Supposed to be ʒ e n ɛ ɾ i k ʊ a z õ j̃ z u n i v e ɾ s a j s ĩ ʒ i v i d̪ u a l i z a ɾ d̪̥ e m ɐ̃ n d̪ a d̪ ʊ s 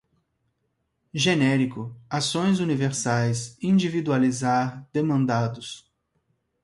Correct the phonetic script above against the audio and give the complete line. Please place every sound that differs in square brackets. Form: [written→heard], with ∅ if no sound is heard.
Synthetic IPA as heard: ʒ e n ɛ ɾ i k ʊ a [z→s] õ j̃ z u n i v e ɾ s a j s ĩ [ʒ→d͡ʒ] i v i d̪ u a l i z a ɾ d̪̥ e m ɐ̃ n d̪ a d̪ ʊ s